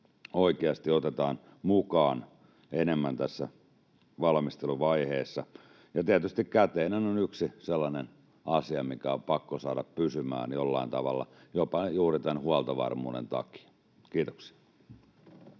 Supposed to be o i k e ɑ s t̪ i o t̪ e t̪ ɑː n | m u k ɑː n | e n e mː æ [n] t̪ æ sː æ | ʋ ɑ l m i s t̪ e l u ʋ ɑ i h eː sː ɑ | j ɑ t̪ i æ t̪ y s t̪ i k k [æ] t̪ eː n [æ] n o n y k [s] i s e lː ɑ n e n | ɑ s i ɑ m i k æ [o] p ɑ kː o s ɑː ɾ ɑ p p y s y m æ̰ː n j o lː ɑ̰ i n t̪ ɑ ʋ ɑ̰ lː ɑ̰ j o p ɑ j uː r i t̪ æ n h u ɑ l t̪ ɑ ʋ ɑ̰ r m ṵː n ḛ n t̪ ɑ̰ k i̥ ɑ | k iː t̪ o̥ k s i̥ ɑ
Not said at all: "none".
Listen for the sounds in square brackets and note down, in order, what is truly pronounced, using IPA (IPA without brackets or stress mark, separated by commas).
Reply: n, æ, æ, s, o